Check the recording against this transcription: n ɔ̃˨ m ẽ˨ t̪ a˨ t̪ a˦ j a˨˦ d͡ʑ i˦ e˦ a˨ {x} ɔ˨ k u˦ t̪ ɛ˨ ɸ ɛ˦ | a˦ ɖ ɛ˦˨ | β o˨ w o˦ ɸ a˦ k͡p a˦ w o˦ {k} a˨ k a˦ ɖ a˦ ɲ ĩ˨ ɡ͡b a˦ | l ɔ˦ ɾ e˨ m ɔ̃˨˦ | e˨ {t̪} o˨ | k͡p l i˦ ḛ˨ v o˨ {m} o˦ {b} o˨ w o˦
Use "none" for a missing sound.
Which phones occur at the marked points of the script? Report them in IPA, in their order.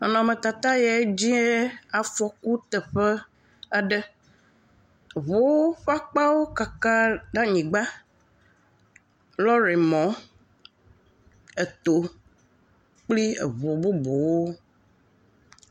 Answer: f, k, t̪, b, b

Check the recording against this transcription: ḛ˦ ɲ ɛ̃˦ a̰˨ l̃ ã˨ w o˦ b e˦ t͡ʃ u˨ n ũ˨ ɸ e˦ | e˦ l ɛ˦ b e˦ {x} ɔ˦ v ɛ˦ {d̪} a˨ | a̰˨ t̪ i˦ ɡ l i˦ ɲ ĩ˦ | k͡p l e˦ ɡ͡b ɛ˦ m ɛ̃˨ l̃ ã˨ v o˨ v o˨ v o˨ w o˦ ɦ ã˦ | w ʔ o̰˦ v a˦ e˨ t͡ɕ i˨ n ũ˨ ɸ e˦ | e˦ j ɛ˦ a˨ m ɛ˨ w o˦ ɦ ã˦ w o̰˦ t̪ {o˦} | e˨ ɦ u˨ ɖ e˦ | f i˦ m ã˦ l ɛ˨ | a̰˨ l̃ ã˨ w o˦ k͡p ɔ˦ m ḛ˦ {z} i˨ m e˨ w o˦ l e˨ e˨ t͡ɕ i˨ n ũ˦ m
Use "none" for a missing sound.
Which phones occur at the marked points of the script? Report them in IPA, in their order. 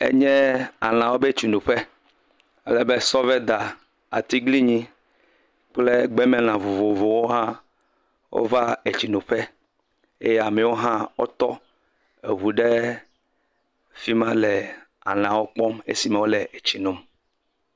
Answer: s, d̪, ɔ˦, s

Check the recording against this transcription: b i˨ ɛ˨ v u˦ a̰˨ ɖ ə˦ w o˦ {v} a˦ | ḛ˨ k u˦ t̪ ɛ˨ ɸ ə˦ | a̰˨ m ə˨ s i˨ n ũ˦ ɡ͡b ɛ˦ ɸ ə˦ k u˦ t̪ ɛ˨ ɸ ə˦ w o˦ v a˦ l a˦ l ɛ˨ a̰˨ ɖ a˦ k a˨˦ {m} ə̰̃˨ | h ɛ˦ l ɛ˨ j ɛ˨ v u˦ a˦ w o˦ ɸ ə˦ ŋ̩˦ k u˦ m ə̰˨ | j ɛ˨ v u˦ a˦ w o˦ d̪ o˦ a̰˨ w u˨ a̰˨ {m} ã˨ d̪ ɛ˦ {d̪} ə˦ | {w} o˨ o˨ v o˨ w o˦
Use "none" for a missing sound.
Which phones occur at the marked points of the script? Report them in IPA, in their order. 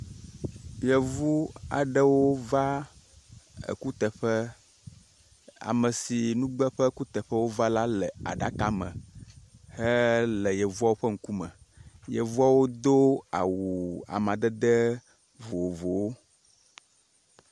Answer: v, m, m, d̪, v

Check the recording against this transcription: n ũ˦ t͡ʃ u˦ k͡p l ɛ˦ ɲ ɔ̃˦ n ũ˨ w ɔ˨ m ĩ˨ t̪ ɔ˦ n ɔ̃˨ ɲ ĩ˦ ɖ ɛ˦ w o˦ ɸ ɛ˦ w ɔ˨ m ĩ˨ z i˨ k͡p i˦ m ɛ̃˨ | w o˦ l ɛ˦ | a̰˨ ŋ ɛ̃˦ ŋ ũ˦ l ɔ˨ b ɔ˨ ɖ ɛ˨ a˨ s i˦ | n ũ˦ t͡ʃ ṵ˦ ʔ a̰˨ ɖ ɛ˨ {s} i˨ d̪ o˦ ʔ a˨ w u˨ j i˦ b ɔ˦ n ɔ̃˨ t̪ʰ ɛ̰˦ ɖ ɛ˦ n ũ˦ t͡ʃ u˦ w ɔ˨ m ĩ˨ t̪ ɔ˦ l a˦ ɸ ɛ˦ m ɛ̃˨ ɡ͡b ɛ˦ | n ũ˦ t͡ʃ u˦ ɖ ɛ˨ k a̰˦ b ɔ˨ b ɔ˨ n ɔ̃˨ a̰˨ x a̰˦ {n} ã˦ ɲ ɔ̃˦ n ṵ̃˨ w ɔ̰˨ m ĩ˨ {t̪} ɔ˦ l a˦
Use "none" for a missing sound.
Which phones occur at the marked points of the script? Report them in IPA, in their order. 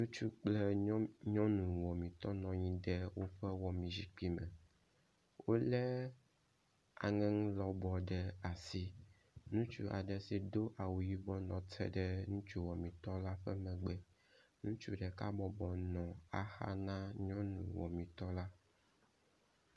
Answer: s, n, t̪

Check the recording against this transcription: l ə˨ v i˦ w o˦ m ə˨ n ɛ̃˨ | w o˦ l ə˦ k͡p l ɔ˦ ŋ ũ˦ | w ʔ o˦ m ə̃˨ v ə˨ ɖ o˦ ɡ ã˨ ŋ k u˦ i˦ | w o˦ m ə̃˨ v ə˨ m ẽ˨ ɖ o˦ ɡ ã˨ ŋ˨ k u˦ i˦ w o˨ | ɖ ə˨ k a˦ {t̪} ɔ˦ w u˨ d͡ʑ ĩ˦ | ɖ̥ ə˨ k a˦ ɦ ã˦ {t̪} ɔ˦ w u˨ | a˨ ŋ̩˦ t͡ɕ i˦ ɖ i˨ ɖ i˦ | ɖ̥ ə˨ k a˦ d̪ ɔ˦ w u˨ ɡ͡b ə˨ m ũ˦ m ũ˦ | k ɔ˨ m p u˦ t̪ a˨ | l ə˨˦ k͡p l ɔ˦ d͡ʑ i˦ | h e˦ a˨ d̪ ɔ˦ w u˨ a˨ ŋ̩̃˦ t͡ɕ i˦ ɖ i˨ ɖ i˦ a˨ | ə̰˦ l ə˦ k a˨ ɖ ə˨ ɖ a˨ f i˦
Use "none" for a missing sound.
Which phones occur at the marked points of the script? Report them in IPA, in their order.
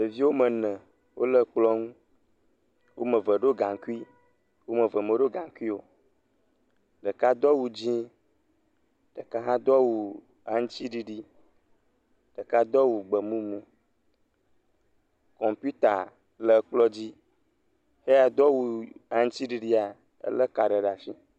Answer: d̪, d̪

